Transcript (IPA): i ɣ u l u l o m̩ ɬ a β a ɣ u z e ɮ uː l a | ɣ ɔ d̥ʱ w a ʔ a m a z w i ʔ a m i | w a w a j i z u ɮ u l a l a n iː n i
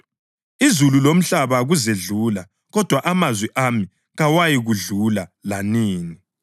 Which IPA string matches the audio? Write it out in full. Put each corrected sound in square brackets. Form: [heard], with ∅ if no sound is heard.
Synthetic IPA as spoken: i [z] u l u l o m̩ ɬ a β a ɣ u z e ɮ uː l a | ɣ ɔ d̥ʱ w a ʔ a m a z w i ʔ a m i | [ɣ] a w a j i [ɣ] u ɮ u l a l a n iː n i